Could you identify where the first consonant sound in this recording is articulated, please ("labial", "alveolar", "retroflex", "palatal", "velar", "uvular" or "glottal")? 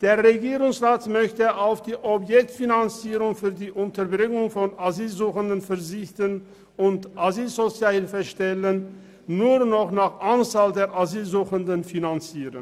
alveolar